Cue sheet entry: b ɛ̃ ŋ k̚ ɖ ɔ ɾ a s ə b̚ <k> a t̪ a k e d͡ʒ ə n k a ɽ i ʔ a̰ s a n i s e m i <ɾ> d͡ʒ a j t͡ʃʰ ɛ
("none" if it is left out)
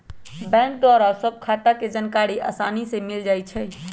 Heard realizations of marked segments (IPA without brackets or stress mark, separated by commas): kʰ, l